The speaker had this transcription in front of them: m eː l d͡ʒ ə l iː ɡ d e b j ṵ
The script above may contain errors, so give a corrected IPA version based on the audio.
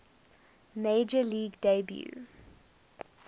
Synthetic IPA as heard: m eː d͡ʒ ə l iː ɡ d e b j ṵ